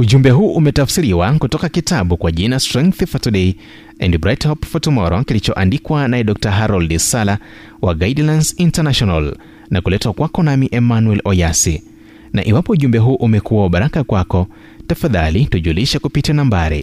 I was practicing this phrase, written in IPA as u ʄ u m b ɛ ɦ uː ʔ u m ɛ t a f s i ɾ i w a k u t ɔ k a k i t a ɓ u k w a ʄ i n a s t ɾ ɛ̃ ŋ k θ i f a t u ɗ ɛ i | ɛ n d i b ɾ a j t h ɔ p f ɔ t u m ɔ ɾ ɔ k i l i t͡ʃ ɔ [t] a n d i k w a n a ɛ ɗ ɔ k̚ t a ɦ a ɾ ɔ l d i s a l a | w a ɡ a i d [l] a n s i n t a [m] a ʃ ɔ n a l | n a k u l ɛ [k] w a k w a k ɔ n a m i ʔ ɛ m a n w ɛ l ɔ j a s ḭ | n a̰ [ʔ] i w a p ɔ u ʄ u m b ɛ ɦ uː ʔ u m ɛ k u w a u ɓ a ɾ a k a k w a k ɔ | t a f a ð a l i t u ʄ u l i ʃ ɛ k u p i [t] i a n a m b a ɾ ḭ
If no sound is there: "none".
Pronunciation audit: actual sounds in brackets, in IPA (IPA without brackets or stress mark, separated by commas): ʔ, l, n, t, ʔ, t